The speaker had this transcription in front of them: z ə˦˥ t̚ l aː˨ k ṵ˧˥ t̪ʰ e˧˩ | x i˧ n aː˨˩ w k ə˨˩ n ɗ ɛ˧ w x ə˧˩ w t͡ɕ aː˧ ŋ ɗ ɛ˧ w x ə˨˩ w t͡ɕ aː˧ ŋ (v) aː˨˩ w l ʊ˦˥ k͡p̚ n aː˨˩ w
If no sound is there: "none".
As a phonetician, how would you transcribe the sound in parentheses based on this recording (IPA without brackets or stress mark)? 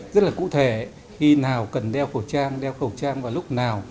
v